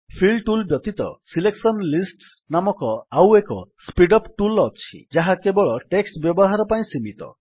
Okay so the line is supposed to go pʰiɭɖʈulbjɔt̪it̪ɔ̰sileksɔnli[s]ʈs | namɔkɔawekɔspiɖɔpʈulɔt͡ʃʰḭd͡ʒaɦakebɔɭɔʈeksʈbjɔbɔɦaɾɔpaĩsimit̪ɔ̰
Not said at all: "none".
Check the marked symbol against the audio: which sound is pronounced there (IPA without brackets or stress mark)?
s